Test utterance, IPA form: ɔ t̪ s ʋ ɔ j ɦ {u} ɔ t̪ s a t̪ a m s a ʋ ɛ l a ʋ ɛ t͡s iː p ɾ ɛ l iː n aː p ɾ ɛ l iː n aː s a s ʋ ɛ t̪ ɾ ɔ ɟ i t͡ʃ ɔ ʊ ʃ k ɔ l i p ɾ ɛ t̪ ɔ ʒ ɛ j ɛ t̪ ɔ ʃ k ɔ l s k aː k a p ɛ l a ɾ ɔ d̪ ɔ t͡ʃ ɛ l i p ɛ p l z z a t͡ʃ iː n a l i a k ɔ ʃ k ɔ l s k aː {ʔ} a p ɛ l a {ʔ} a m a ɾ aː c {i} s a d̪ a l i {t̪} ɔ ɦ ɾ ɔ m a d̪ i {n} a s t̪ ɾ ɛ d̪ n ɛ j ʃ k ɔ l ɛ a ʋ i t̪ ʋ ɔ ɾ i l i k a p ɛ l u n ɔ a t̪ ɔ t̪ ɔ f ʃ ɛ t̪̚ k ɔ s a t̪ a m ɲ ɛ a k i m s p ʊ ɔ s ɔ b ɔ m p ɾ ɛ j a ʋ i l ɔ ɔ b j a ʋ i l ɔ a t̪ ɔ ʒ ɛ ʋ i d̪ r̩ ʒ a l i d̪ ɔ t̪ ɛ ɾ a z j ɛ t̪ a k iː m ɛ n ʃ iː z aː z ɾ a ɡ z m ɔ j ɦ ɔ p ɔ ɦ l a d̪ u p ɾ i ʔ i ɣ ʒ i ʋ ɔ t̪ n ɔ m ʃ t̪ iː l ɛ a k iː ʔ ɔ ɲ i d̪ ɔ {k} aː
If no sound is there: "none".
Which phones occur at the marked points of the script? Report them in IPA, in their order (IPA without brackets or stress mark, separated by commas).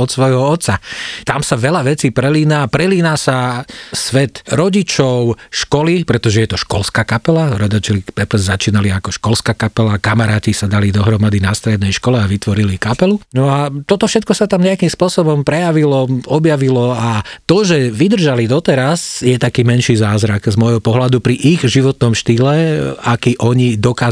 ɔ, k, k, i, d̪, n, k